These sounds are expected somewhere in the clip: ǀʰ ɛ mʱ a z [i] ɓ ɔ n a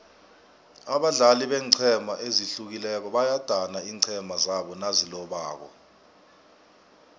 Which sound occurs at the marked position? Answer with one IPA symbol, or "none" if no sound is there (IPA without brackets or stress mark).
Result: a